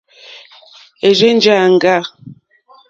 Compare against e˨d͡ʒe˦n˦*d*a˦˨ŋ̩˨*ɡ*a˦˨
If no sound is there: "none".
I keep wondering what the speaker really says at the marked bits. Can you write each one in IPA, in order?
d͡ʒ, ɡ

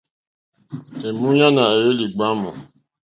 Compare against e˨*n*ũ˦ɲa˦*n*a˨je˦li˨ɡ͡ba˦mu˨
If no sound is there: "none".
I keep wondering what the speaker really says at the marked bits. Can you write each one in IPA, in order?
m, n

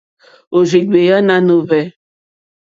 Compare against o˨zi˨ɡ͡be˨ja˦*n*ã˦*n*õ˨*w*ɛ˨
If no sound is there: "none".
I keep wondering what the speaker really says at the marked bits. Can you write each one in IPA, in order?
n, n, v

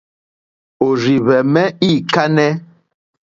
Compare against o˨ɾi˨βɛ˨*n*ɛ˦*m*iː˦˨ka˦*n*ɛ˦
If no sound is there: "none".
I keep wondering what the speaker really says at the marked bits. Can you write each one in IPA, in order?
m, none, n

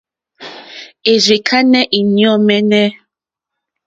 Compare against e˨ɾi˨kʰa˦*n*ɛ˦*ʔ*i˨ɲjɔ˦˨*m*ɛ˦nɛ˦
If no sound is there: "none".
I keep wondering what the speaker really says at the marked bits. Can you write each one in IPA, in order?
n, ʔ, m

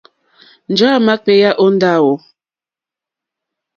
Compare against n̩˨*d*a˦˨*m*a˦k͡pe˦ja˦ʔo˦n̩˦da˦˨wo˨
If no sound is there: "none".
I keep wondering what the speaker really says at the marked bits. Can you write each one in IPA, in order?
d͡ʒ, m

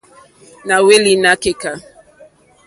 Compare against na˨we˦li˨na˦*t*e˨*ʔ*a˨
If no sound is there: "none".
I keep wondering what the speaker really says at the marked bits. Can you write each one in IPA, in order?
k, k

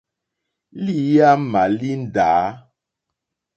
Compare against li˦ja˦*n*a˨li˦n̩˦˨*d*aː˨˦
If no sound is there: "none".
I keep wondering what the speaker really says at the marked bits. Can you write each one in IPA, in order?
m, d

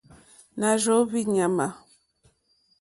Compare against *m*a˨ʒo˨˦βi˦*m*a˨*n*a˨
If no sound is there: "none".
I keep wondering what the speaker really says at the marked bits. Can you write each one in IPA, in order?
n, ɲ, m

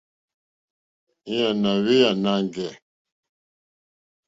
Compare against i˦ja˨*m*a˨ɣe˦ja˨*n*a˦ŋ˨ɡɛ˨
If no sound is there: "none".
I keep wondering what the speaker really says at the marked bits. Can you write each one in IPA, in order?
n, n

